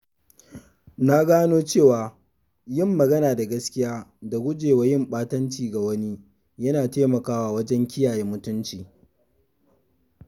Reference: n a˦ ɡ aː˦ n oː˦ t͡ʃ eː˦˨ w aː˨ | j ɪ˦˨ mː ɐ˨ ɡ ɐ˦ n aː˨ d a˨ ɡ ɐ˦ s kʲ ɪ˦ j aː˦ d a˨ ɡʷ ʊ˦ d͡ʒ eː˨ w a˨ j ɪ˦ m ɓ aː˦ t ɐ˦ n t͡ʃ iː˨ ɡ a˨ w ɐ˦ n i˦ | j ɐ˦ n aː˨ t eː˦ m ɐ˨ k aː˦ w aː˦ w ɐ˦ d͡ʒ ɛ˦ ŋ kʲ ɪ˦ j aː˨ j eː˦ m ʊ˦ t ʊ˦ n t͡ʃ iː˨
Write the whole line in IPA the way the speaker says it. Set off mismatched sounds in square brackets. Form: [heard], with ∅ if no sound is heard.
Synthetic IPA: n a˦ ɡ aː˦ n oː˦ t͡ʃ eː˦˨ w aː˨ | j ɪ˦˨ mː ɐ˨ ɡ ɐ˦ n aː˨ d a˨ ɡ ɐ˦ s kʲ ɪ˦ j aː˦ d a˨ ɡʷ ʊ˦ d͡ʒ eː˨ w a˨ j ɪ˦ m ɓ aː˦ t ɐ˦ n t͡ʃ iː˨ ɡ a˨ w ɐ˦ n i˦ | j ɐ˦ n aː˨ t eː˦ m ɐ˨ k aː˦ w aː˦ w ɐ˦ d͡ʒ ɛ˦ ŋ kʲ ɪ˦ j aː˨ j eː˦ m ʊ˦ t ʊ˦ n t͡ʃ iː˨